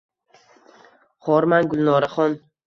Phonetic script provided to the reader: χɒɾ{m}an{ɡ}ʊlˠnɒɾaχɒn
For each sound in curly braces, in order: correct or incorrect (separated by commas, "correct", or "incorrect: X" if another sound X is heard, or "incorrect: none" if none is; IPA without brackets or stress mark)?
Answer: correct, correct